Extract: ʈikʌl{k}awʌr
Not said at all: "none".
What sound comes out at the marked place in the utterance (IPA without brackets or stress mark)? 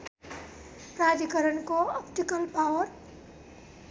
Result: p